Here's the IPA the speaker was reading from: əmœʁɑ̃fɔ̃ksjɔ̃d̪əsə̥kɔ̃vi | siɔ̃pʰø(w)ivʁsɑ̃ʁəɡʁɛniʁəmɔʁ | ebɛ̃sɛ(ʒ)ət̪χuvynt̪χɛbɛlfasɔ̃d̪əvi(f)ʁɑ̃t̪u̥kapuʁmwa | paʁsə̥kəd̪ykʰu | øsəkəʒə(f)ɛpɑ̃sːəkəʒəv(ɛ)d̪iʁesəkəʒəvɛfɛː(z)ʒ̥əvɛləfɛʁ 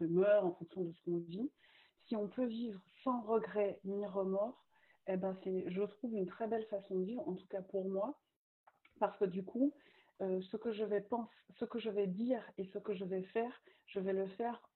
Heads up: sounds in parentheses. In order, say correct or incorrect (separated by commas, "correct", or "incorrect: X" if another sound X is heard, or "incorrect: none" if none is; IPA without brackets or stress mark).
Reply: incorrect: v, correct, incorrect: v, incorrect: v, correct, incorrect: ʁ